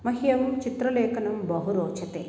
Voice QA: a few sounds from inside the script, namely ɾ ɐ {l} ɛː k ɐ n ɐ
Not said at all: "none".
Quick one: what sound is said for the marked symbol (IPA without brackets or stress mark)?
l